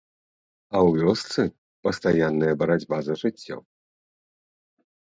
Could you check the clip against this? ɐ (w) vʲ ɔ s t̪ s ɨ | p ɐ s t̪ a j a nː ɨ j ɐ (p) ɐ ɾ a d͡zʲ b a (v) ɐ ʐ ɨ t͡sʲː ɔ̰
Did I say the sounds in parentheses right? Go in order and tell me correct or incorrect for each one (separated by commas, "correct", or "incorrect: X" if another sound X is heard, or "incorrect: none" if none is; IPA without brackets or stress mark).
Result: correct, incorrect: b, incorrect: z